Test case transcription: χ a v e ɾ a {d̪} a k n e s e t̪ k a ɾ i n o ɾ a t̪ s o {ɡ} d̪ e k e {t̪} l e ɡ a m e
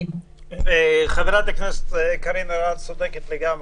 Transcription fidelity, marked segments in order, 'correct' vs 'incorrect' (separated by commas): incorrect, incorrect, correct